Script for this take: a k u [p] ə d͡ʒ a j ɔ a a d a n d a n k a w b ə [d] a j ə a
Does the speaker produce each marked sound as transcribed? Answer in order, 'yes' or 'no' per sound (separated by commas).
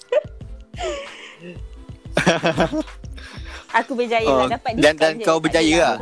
no, no